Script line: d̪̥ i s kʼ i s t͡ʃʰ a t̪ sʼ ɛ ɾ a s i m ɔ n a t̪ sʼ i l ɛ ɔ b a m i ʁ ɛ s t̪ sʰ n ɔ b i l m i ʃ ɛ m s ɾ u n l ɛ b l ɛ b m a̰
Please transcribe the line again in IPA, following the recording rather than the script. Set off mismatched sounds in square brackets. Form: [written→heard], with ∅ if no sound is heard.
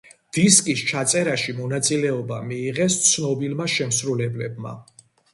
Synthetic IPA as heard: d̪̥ i s kʼ i s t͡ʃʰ a t̪ sʼ ɛ ɾ a [s→ʃ] i m ɔ n a t̪ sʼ i l ɛ ɔ b a m [i→iː] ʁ ɛ s t̪ sʰ n ɔ b i l m [i→a] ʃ ɛ m s ɾ u [n→∅] l ɛ b l ɛ b m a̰